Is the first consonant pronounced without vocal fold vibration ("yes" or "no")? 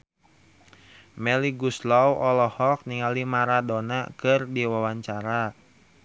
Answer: no